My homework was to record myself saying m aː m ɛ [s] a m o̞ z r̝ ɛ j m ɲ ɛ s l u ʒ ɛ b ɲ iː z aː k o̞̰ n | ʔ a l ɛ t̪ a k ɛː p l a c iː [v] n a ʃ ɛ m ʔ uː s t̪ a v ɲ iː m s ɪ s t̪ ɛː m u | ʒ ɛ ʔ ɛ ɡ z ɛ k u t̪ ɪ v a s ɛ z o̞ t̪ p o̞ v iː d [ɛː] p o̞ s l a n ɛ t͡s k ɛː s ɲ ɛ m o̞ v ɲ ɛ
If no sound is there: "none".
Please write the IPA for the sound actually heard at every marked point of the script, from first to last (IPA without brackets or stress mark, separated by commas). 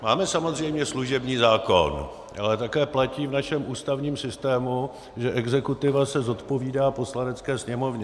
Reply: s, v, aː